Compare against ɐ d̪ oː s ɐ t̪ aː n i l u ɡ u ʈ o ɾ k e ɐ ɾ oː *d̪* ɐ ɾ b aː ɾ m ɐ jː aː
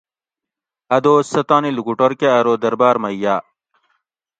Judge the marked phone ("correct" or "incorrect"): correct